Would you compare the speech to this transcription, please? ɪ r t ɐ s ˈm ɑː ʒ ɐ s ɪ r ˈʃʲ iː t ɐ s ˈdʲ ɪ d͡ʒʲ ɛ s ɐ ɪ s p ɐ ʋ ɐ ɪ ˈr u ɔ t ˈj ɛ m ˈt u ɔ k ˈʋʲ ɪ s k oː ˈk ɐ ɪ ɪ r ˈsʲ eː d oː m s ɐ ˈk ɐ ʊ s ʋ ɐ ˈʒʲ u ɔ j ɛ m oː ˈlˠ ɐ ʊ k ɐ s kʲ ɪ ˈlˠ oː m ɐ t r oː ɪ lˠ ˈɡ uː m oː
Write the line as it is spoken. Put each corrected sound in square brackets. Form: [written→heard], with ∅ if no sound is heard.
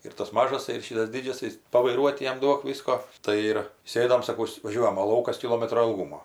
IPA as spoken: ɪ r t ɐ s ˈm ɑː ʒ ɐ s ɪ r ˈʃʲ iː t ɐ s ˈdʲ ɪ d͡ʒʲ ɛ s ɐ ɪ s p ɐ ʋ ɐ ɪ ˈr u ɔ t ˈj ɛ m [ˈt→ˈd] u ɔ k ˈʋʲ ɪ s k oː [ˈk→ˈt] ɐ ɪ ɪ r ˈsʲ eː d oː m s ɐ ˈk ɐ ʊ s ʋ ɐ ˈʒʲ u ɔ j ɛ m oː ˈlˠ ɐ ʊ k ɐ s kʲ ɪ ˈlˠ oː m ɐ t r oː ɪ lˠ ˈɡ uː m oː